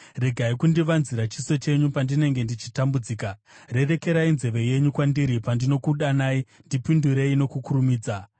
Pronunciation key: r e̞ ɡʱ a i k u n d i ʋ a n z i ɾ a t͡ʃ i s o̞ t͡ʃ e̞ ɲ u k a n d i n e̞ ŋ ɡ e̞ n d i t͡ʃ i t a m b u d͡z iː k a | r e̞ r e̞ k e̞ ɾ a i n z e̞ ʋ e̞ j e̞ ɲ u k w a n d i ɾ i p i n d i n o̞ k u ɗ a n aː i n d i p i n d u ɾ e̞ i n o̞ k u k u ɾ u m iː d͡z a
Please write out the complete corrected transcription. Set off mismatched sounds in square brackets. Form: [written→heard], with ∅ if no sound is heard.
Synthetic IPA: r e̞ ɡʱ a i k u n d i ʋ a n z i ɾ a t͡ʃ i s o̞ t͡ʃ e̞ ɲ u [k→p] a n d i n e̞ ŋ ɡ e̞ n d i t͡ʃ i t a m b u d͡z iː k a | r e̞ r e̞ k e̞ ɾ a i n z e̞ ʋ e̞ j e̞ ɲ u k w a n d i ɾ i p [i→a] n d i n o̞ k u ɗ a n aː i n d i p i n d u ɾ e̞ i n o̞ k u k u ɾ u m iː d͡z a